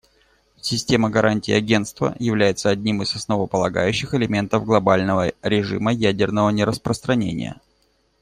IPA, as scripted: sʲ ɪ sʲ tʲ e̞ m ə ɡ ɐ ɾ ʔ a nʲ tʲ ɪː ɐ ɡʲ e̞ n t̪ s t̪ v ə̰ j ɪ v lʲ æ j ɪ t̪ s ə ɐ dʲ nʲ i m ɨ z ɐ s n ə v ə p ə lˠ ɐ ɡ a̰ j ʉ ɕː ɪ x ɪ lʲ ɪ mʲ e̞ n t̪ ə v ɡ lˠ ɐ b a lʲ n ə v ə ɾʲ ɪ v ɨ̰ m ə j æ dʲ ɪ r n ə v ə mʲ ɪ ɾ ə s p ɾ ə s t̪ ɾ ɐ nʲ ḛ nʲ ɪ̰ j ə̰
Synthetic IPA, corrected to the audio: sʲ ɪ sʲ tʲ e̞ m ə ɡ ɐ ɾ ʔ a nʲ tʲ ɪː ɐ ɡʲ e̞ n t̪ s t̪ v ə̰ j ɪ v lʲ æ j ɪ t̪ s ə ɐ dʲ nʲ i m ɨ z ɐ s n ə v ə p ə lˠ ɐ ɡ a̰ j ʉ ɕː ɪ x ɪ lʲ ɪ mʲ e̞ n t̪ ə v ɡ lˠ ɐ b a lʲ n ə v ə ɾʲ ɪ ʐ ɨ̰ m ə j æ dʲ ɪ r n ə v ə nʲ ɪ ɾ ə s p ɾ ə s t̪ ɾ ɐ nʲ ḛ nʲ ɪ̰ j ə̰